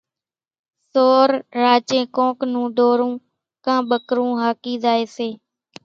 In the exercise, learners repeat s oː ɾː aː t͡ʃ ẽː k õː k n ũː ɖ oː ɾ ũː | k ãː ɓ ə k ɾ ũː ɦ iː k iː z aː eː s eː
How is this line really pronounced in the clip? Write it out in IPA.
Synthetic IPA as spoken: s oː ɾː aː t͡ʃ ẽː k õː k n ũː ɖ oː ɾ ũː | k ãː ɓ ə k ɾ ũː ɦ aː k iː z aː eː s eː